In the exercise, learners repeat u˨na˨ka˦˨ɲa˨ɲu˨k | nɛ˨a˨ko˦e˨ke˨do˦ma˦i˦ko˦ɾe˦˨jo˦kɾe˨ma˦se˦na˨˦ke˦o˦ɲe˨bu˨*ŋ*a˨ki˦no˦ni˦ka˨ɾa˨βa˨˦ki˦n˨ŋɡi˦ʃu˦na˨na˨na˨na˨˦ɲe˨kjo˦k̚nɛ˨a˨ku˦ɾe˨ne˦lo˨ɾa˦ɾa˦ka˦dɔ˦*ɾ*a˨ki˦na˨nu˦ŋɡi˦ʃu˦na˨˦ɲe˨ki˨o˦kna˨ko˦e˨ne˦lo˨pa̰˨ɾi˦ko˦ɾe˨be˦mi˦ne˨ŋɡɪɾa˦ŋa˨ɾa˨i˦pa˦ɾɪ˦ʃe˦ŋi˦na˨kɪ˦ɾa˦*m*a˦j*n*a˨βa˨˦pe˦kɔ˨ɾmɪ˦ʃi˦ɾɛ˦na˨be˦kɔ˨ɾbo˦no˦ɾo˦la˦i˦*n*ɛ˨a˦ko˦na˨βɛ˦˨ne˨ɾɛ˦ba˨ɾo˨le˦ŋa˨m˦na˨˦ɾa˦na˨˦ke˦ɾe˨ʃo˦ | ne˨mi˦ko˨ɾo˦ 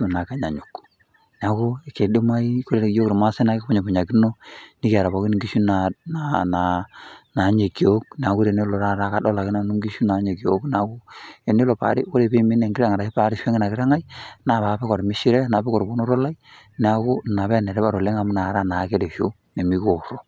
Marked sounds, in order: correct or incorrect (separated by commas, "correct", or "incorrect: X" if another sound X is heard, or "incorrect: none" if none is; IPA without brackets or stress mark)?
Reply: incorrect: ɲ, incorrect: l, incorrect: ŋ, correct, correct